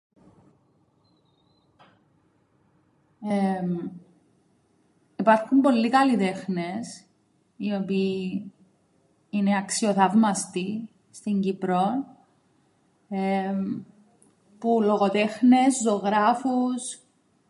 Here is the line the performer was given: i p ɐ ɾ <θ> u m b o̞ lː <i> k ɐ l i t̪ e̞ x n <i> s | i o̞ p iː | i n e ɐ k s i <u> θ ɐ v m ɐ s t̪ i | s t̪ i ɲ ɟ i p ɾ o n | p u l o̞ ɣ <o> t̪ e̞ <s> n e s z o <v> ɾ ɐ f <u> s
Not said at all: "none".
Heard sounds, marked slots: x, i, e, o, o, x, ɣ, u

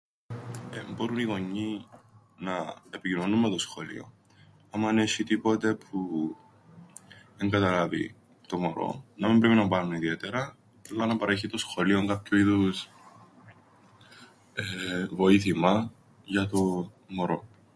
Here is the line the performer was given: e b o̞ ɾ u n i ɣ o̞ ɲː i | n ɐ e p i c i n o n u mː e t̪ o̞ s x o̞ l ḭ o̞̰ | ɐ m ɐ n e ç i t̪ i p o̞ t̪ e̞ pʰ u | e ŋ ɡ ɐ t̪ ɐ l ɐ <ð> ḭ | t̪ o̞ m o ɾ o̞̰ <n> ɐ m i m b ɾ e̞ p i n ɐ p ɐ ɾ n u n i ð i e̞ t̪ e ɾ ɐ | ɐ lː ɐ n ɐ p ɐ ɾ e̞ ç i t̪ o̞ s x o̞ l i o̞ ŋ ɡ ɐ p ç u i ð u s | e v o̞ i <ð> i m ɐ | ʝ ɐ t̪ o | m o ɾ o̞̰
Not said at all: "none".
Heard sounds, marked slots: v, n, θ

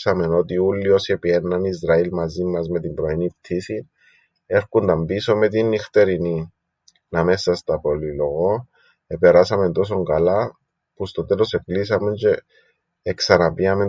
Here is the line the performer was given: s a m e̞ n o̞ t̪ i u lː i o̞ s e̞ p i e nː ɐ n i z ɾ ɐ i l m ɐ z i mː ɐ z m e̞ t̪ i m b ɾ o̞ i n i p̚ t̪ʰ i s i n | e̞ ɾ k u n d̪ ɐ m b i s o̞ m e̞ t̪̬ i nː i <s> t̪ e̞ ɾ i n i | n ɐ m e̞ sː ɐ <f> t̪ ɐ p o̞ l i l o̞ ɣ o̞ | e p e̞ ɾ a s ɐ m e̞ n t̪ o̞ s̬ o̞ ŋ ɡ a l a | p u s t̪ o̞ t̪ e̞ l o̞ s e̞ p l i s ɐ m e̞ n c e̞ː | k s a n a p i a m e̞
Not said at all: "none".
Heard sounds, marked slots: x, s

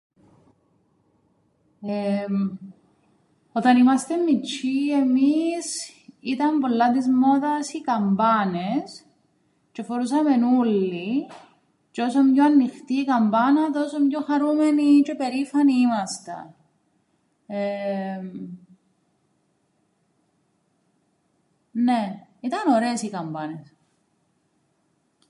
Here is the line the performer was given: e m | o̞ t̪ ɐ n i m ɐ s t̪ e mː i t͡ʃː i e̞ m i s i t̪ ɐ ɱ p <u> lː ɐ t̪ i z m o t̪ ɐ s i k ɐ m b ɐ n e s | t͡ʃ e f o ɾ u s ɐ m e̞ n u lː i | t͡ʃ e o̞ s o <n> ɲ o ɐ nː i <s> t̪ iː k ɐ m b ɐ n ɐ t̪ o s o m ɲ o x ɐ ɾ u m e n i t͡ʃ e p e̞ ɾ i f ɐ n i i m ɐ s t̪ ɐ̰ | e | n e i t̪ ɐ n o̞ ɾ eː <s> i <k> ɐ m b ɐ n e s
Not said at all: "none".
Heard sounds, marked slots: o, m, x, s, k

